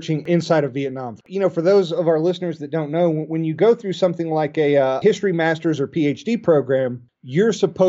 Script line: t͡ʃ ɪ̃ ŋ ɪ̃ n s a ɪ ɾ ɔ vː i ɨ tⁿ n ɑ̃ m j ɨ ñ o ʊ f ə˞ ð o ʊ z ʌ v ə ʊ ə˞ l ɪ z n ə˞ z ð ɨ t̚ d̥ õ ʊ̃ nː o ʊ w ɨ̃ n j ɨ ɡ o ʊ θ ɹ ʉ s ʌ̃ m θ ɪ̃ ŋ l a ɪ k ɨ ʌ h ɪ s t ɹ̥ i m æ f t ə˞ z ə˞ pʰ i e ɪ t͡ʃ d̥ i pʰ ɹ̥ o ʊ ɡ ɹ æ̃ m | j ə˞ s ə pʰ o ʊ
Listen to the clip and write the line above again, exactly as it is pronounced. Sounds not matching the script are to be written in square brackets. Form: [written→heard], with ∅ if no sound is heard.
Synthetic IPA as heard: t͡ʃ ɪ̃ ŋ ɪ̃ n s a ɪ ɾ [ɔ→ʌ] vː i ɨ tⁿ n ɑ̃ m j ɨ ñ o ʊ f ə˞ ð o ʊ z ʌ v [ə→a] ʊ ə˞ l ɪ [z→s] n ə˞ z ð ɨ t̚ d̥ õ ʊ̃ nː o ʊ w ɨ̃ n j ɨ ɡ o ʊ θ ɹ ʉ s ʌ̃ m θ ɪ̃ ŋ l a ɪ k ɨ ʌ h ɪ s t ɹ̥ i m æ [f→s] t ə˞ z ə˞ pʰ i e ɪ t͡ʃ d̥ i pʰ ɹ̥ o ʊ ɡ ɹ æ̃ m | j ə˞ s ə pʰ o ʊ